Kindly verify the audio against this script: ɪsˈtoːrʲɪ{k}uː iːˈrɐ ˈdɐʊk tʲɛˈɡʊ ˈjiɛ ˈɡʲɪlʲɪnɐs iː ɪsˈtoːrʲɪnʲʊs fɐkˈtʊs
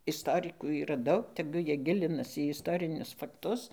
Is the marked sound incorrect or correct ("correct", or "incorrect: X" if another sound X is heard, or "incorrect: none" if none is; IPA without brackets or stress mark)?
correct